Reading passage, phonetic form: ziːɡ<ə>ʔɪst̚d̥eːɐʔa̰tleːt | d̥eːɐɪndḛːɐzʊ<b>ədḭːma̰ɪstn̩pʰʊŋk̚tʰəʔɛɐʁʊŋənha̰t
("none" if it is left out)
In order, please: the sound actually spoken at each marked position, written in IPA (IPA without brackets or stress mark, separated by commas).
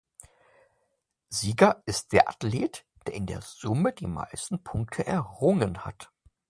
ɐ, m